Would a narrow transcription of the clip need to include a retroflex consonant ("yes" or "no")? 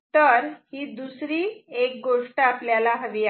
yes